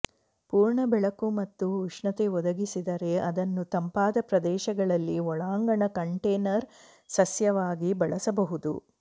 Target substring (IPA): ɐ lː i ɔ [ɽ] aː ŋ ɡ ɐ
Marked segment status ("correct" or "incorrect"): incorrect